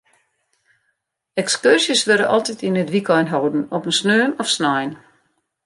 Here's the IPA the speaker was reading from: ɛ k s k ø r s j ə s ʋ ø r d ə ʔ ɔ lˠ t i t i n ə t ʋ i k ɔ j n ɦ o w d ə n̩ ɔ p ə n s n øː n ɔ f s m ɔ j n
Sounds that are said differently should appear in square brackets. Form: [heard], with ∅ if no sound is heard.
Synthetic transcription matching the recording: ɛ k s k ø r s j ə s ʋ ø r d ə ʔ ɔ lˠ t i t i n ə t ʋ i k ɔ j n ɦ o w d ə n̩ ɔ p ə n s n øː n ɔ f s [n] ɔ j n